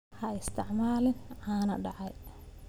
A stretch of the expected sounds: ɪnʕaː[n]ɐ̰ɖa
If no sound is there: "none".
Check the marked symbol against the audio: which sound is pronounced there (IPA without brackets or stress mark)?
n